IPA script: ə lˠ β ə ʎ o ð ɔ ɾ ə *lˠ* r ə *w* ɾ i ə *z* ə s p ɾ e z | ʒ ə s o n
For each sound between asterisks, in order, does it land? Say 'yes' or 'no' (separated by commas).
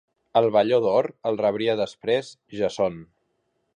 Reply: yes, no, no